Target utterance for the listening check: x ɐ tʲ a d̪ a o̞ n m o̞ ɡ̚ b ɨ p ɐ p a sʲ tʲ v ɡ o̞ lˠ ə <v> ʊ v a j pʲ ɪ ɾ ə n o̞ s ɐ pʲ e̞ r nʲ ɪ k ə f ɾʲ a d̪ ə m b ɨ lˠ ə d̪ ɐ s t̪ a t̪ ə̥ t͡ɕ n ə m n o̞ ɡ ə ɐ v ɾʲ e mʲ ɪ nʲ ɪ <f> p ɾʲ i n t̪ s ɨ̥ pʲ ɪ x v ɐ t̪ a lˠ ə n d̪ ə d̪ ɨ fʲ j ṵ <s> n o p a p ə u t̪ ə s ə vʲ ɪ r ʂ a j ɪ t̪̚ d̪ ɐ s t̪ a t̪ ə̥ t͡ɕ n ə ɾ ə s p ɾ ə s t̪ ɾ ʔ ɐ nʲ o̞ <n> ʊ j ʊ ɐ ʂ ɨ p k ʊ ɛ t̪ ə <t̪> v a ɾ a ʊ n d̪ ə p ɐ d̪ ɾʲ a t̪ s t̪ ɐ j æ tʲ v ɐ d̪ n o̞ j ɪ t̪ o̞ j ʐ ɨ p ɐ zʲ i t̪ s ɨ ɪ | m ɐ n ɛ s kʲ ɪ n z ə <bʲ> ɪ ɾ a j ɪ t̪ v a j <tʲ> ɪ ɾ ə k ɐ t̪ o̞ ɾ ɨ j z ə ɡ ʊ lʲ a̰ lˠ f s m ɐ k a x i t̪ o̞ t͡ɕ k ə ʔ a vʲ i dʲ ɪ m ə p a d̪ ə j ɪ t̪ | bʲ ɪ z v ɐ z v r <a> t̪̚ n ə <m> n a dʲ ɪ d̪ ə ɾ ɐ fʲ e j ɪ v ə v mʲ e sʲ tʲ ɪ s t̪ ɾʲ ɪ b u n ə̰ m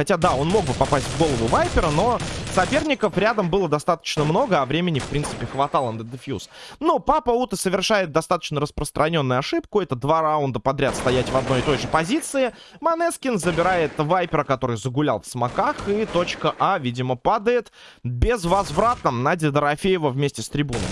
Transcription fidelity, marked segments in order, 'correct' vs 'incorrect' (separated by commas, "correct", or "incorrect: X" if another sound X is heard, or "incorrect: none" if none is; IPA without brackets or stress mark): correct, correct, correct, incorrect: nː, incorrect: d̪, correct, incorrect: pʲ, correct, correct